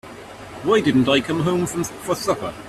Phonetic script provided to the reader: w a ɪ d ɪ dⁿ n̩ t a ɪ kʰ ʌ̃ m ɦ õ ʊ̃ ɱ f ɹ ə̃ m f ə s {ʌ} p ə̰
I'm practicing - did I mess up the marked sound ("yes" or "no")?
no